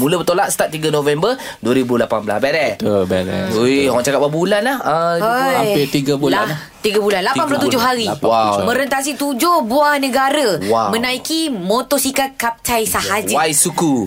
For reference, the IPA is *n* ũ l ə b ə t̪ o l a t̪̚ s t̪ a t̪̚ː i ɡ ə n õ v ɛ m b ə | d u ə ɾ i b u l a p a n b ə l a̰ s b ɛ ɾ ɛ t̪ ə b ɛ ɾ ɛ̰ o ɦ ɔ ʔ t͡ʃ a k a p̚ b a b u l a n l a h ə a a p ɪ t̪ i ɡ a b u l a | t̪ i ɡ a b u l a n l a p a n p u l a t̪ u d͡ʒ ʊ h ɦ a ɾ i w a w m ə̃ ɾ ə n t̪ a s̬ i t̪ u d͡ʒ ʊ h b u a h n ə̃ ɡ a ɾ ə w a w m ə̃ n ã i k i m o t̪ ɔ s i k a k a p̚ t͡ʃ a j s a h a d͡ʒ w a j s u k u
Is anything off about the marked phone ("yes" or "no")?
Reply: yes